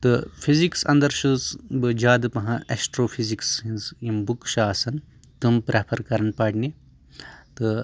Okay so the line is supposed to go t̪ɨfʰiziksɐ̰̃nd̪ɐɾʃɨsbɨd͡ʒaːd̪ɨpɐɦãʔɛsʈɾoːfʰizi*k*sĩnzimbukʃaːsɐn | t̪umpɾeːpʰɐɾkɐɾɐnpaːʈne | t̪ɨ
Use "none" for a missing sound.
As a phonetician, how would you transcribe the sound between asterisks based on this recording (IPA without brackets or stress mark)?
k